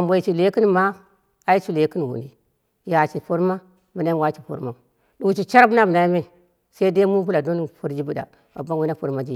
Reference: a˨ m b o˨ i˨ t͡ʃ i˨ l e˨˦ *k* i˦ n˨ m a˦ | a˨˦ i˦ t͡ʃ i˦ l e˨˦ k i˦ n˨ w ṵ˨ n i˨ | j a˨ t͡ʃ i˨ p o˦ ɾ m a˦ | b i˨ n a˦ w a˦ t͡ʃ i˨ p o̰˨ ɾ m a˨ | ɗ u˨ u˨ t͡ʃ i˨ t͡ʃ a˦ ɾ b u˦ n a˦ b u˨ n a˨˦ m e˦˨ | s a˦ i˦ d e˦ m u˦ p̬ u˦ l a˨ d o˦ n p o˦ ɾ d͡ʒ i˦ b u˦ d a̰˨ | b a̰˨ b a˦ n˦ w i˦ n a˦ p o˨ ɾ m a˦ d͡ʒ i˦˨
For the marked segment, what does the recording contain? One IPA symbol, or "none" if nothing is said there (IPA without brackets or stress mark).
k